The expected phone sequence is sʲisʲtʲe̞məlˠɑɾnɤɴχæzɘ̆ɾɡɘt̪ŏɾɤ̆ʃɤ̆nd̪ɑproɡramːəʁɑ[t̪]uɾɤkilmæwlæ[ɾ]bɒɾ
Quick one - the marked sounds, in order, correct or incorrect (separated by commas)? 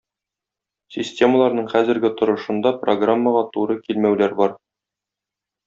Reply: correct, correct